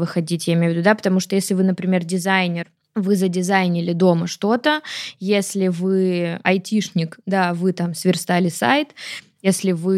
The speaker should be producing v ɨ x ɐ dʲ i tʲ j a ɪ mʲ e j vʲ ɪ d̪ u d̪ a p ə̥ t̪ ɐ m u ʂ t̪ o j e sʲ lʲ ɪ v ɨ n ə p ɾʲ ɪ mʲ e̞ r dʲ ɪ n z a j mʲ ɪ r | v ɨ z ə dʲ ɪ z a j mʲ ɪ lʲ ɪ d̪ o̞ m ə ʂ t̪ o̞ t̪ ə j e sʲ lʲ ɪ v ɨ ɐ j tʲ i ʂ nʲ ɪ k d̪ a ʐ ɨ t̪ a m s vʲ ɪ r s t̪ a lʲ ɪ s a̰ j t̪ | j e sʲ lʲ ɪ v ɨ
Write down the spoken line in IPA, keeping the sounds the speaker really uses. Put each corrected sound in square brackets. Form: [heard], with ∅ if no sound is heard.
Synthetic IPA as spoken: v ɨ x ɐ dʲ i tʲ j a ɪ mʲ e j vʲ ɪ d̪ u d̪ a p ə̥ t̪ ɐ m u ʂ t̪ o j e sʲ lʲ ɪ v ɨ n ə p ɾʲ ɪ mʲ e̞ r dʲ ɪ [∅] z a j [nʲ] ɪ r | v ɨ z ə dʲ ɪ z a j [nʲ] ɪ lʲ ɪ d̪ o̞ m ə ʂ t̪ o̞ t̪ ə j e sʲ lʲ ɪ v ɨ ɐ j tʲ i ʂ nʲ ɪ k d̪ a [v] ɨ t̪ a m s vʲ ɪ r s t̪ a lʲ ɪ s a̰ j t̪ | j e sʲ lʲ ɪ v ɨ